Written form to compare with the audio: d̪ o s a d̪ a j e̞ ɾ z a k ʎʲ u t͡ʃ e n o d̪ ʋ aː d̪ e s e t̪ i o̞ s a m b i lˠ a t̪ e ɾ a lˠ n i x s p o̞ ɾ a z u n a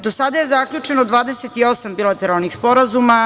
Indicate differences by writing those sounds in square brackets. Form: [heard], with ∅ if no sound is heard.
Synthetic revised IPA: d̪ o s a d̪ a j e̞ [∅] z a k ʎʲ u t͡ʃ e n o d̪ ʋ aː d̪ e s e t̪ i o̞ s a m b i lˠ a t̪ e ɾ a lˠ n i x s p o̞ ɾ a z u [m] a